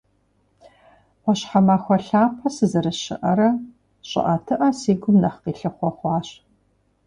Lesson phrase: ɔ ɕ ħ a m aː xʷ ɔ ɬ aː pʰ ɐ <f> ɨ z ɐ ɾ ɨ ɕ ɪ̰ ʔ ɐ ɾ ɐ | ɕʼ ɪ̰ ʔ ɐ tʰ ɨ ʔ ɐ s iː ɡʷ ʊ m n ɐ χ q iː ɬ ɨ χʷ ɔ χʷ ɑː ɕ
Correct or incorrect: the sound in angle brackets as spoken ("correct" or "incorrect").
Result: incorrect